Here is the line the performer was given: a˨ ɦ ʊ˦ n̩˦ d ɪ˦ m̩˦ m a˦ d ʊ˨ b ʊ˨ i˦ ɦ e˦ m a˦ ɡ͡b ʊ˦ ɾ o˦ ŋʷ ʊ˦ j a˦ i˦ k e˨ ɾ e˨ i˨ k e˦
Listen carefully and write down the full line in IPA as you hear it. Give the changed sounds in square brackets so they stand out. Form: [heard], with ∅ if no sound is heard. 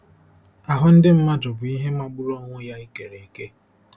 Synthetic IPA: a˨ ɦ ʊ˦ n̩˦ d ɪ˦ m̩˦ m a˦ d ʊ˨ b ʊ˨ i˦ ɦ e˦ m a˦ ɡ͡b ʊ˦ ɾ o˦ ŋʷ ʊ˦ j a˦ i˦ k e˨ ɾ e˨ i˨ k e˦